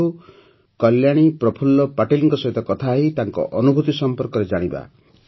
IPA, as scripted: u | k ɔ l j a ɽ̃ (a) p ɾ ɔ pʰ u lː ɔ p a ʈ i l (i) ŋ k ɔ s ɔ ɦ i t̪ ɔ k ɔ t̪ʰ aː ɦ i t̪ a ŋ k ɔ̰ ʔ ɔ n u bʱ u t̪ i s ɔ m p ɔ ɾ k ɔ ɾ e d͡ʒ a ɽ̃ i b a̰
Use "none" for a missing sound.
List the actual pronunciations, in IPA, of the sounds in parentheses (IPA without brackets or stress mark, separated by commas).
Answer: i, i